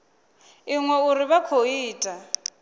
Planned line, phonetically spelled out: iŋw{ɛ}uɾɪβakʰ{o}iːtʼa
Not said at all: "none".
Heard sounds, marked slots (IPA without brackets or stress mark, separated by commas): ɛ, o